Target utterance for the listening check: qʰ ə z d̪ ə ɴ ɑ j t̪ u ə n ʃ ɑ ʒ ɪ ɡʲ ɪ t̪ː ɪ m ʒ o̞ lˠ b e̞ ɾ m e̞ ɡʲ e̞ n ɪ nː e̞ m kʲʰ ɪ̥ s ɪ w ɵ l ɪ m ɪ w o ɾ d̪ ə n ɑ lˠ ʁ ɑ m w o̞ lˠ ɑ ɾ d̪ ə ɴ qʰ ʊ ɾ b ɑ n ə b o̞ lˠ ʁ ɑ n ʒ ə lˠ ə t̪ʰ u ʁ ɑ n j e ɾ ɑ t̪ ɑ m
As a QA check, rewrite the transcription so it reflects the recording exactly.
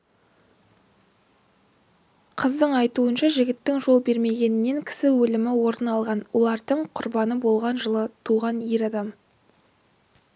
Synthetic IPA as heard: qʰ ə z d̪ ə ɴ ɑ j t̪ u ə n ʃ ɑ ʒ ɪ ɡʲ ɪ t̪ː ɪ ŋ ʒ o̞ lˠ b e̞ ɾ m e̞ ɡʲ e̞ n ɪ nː e̞ ŋ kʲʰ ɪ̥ s ɪ w ɵ l ɪ m ɪ w o ɾ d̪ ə n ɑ lˠ ʁ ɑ n w o̞ lˠ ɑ ɾ d̪ ə ɴ qʰ ʊ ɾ b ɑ n ə b o̞ lˠ ʁ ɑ n ʒ ə lˠ ə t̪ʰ u ʁ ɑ n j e ɾ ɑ d̪ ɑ m